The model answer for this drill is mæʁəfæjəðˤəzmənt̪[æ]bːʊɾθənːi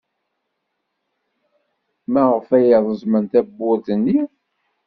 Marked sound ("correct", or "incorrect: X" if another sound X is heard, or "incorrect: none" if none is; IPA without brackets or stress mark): correct